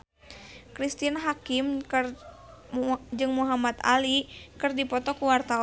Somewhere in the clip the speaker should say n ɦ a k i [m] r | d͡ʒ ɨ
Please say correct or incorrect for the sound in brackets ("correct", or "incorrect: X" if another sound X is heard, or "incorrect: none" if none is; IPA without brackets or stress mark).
correct